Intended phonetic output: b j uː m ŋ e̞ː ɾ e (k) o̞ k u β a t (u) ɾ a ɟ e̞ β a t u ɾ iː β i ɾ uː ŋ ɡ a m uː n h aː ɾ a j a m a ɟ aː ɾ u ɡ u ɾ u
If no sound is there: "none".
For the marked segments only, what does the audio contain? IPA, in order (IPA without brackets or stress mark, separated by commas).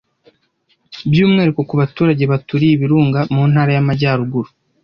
k, uː